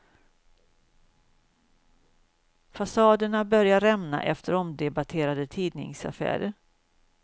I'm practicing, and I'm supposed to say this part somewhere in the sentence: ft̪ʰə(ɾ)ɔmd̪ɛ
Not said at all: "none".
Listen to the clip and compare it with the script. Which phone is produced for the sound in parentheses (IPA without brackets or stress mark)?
ɾ